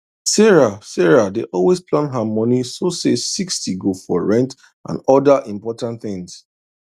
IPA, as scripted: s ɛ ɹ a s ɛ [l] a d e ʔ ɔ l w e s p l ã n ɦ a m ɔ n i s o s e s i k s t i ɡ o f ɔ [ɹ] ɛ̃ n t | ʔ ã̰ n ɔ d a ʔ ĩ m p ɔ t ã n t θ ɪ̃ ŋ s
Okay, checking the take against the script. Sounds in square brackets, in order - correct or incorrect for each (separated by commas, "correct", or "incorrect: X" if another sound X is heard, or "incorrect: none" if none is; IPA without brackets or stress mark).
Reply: incorrect: ɹ, correct